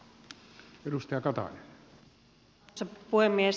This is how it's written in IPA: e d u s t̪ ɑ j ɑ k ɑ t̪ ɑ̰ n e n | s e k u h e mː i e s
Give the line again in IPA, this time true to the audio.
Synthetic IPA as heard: e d u s t̪ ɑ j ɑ k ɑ t̪ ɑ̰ n e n | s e p u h e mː i e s

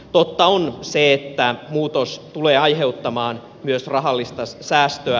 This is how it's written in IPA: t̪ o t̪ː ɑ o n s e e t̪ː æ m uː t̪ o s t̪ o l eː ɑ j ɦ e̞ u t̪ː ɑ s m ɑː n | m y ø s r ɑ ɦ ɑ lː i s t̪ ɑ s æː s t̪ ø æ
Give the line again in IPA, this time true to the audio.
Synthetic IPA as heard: t̪ o t̪ː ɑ o n s e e t̪ː æ m uː t̪ o s t̪ u l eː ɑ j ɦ e̞ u t̪ː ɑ m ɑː n | m y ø s r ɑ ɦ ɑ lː i s t̪ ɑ s æː s t̪ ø æ

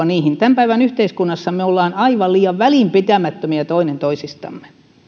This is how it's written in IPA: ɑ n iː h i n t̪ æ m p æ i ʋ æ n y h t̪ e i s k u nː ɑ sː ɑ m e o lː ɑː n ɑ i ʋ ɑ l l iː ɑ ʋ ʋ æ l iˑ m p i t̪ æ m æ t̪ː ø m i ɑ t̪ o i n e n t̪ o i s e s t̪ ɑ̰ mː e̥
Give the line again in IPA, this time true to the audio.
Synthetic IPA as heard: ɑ n iː h i n t̪ æ m p æ i ʋ æ n y h t̪ e i s k u nː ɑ sː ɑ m e o lː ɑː n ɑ i ʋ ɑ l l iː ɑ ʋ ʋ æ l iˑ m p i t̪ æ m æ t̪ː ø m i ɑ t̪ o i n e n t̪ o i s i s t̪ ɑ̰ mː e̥

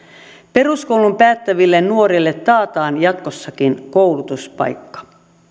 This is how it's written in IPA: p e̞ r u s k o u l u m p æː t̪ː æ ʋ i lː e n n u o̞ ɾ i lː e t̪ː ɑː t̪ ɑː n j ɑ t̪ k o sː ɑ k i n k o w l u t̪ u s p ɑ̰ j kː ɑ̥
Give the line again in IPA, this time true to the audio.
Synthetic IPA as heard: p e̞ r u s k o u l u m p æː t̪ː æ ʋ i lː e n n u o̞ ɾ i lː e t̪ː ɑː t̪ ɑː n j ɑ t̪ k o sː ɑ k i n k o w l u t̪ u s p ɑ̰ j kː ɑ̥

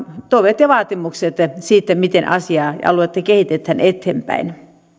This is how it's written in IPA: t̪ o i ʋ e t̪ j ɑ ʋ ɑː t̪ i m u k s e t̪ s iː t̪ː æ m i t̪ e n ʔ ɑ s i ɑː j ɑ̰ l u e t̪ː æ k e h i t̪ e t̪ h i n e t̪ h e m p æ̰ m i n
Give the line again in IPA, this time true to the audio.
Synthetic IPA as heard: t̪ o i ʋ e t̪ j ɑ ʋ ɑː t̪ i m u k s e t̪ s iː t̪ː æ m i t̪ e n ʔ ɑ s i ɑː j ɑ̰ l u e t̪ː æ k e h i t̪ e t̪ h æ n e t̪ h e m p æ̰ i n

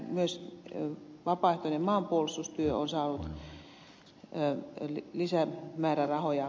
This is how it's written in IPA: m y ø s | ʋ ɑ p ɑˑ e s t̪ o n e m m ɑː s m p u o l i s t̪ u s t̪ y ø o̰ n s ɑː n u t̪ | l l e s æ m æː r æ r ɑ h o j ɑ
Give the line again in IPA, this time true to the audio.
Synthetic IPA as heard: m y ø s | ʋ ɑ p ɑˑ e h t̪ o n e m m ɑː m p u o l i s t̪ u s t̪ y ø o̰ n s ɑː n u t̪ | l l i s æ m æː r æ r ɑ h o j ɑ

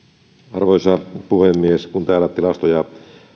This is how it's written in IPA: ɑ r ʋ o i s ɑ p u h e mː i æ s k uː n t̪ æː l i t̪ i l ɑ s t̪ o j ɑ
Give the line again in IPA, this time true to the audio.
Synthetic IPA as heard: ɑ r ʋ o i s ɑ p u h e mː i e s k u n t̪ æː l æ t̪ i l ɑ s t̪ o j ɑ

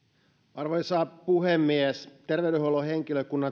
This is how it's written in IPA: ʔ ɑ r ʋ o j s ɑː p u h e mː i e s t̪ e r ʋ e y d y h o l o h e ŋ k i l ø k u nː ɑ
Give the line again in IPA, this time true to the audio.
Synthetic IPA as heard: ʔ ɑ r ʋ o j s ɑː p u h e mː i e s t̪ e r ʋ e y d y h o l o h e ŋ k i l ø k u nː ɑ

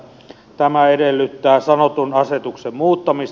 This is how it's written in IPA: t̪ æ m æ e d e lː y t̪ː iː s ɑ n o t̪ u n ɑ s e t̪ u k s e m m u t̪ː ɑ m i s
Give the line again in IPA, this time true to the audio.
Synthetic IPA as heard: t̪ æ m æ e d e lː y t̪ː æː s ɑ n o t̪ u n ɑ s e t̪ u k s e m m uː t̪ː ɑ m i s

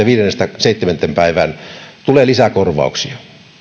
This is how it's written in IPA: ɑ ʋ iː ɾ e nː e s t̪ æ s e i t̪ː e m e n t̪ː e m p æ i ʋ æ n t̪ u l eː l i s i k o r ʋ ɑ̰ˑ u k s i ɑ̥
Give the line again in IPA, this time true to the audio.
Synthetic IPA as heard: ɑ ʋ iː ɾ e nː e s t̪ æ s e i t̪ː e m e n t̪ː e m p æ i ʋ æ n t̪ u l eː l i s æ k o r ʋ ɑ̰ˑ u k s i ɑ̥

